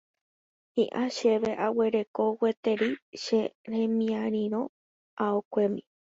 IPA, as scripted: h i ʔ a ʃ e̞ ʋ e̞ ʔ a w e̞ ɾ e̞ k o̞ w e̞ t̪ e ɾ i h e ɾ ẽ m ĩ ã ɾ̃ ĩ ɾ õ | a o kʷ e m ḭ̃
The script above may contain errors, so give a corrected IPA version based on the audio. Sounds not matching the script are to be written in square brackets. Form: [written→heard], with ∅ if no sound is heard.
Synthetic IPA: h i ʔ a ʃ e̞ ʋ e̞ ʔ a w e̞ ɾ e̞ k o̞ w e̞ t̪ e ɾ i [h→ʃ] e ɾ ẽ m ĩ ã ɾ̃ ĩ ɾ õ | a o kʷ e m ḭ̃